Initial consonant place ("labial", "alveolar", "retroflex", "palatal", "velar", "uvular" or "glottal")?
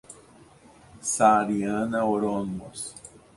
alveolar